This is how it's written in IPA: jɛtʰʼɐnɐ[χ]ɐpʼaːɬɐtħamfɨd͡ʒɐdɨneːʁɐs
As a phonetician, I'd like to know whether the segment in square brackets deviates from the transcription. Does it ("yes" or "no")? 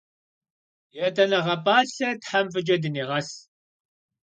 yes